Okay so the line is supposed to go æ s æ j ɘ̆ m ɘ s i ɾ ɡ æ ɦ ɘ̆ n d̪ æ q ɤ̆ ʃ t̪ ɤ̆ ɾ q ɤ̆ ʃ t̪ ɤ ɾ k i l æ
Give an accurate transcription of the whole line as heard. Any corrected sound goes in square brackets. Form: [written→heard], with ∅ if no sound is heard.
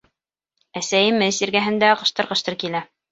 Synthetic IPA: æ s æ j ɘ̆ m ɘ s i ɾ ɡ æ ɦ ɘ̆ n d̪ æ q ɤ̆ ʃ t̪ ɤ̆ ɾ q ɤ̆ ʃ t̪ ɤ ɾ k i l æ

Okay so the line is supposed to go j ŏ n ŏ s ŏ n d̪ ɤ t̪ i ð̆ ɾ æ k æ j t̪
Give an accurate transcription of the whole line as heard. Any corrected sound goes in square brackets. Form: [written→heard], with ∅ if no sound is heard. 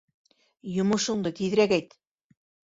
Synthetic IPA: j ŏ [n→m] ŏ [s→ʃ] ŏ [n→ɴ] d̪ ɤ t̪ i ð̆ ɾ æ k æ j t̪

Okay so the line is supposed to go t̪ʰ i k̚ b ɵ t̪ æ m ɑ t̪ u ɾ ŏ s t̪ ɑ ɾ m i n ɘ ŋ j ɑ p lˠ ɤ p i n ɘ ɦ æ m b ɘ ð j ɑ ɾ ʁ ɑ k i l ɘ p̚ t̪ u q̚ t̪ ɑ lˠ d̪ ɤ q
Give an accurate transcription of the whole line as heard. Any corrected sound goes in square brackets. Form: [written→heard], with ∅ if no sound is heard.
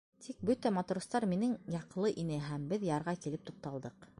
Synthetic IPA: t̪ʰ i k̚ b ɵ t̪ æ m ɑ t̪ u ɾ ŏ s t̪ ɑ ɾ m i n ɘ ŋ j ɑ [p→q] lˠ ɤ [p→ʔ] i n ɘ ɦ æ m b ɘ ð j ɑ ɾ ʁ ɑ k i l ɘ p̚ t̪ u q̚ t̪ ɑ lˠ d̪ ɤ q

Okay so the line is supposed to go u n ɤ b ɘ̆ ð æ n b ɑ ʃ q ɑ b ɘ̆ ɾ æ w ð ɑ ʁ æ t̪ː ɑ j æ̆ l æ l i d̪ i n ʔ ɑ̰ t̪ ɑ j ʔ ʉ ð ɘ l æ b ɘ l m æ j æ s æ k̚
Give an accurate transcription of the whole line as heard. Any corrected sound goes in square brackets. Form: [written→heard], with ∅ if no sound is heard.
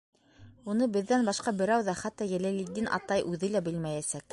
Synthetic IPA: u n ɤ b ɘ̆ [ð→ðː] æ n b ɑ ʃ q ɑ b ɘ̆ ɾ æ w ð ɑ [ʁ→χ] æ t̪ː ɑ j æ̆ l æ l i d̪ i n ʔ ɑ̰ t̪ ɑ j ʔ ʉ ð ɘ l æ b ɘ l m æ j æ s æ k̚

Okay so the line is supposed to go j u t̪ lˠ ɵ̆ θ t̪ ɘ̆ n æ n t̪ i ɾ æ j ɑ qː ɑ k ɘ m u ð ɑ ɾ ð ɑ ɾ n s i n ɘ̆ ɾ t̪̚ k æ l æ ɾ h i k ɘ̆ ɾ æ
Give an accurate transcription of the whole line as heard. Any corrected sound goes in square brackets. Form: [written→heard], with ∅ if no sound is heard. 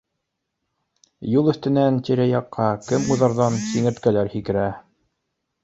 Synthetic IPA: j u [t̪→∅] lˠ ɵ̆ θ t̪ ɘ̆ n æ n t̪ i ɾ æ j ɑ qː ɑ k ɘ m u ð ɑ ɾ ð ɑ [ɾ→∅] n s i [n→ŋ] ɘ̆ ɾ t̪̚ k æ l æ ɾ h i k ɘ̆ ɾ æ

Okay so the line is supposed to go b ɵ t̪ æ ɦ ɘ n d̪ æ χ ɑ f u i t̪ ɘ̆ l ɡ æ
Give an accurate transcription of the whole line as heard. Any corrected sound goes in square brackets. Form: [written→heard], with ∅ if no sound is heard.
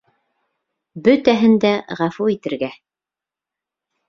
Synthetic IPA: b ɵ t̪ æ ɦ ɘ n d̪ æ [χ→ʁ] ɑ f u i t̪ ɘ̆ [l→ɾ] ɡ æ

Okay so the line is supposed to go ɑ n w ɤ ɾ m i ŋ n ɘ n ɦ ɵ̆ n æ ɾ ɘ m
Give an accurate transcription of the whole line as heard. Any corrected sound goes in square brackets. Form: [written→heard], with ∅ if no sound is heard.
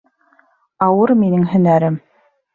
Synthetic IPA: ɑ [n→∅] w ɤ ɾ m i [ŋ→∅] n ɘ [n→ŋ] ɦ ɵ̆ n æ ɾ ɘ m

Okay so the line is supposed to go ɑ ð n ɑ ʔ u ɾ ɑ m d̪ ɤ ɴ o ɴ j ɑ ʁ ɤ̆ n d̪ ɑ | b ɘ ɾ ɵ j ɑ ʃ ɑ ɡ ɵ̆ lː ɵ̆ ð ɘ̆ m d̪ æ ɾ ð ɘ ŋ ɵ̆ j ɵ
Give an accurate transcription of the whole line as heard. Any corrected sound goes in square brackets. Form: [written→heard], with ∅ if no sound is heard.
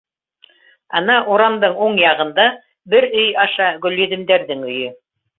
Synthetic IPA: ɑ [ð→∅] n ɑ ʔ u ɾ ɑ m d̪ ɤ ɴ [o→u] ɴ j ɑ ʁ ɤ̆ n d̪ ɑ | b ɘ ɾ ɵ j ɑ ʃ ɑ ɡ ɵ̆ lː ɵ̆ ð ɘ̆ m d̪ æ ɾ ð ɘ ŋ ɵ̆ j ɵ

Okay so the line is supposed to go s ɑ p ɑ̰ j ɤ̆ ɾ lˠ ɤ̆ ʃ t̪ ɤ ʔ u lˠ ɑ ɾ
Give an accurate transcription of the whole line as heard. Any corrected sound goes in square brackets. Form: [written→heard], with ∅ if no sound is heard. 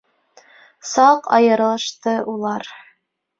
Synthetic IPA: s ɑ [p→q] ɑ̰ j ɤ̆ ɾ lˠ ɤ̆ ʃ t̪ ɤ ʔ u lˠ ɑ ɾ

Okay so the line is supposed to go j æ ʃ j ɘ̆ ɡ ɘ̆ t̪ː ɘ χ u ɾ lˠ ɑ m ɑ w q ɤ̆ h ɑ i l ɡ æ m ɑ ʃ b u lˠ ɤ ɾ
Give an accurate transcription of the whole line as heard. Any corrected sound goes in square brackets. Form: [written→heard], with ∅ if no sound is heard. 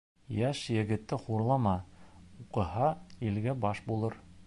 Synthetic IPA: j æ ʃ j ɘ̆ ɡ ɘ̆ t̪ː ɘ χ u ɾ lˠ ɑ m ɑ [w→u] q ɤ̆ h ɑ i l ɡ æ [m→b] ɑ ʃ b u lˠ ɤ ɾ

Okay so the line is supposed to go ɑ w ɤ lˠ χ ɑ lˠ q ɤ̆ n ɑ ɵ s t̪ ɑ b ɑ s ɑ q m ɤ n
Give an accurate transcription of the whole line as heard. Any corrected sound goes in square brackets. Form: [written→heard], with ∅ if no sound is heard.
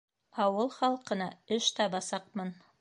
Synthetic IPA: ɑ w ɤ lˠ χ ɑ lˠ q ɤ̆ n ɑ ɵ [s→ʃ] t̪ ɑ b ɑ s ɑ q m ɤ n

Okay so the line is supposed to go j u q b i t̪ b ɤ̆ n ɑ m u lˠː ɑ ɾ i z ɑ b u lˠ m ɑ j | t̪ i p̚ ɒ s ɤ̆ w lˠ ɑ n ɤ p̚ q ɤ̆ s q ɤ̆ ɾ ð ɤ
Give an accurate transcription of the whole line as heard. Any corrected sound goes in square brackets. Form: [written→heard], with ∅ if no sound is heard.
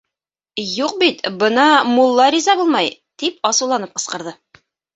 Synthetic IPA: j u q b i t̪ b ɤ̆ n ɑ m u lˠː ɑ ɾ i z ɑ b u lˠ m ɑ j | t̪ i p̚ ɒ s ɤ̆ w lˠ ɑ n ɤ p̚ q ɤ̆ s q ɤ̆ ɾ ð ɤ

